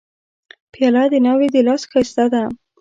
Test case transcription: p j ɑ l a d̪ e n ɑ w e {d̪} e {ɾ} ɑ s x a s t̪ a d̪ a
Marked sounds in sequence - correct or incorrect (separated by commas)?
correct, incorrect